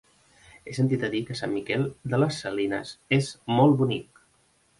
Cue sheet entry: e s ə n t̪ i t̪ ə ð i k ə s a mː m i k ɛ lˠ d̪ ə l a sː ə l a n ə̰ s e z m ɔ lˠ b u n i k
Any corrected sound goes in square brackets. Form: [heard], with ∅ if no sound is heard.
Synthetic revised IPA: e s ə n t̪ i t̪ ə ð i k ə s a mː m i k ɛ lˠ d̪ ə l [ə] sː ə l [i] n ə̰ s e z m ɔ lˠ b u n i k